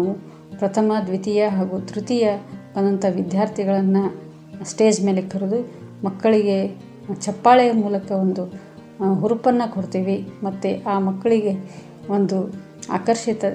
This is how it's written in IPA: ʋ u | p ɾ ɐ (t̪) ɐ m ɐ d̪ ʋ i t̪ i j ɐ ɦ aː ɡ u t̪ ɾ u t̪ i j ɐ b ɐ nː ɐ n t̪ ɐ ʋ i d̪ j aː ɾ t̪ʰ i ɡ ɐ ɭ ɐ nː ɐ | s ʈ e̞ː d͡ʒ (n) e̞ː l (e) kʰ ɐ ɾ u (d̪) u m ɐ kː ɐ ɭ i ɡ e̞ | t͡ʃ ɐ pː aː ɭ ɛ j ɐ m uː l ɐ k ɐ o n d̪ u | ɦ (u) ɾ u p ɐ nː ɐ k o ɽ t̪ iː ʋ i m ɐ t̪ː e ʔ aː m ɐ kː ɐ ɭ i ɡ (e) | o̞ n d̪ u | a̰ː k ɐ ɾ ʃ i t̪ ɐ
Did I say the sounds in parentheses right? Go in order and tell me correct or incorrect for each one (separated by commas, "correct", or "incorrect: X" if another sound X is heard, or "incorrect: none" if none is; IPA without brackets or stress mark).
incorrect: t̪ʰ, incorrect: m, correct, correct, correct, correct